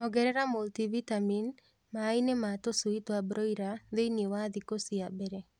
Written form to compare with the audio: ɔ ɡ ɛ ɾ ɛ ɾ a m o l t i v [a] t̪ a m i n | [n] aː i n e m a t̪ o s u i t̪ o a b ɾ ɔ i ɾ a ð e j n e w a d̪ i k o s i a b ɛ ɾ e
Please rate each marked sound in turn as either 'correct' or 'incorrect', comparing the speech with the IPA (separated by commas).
incorrect, incorrect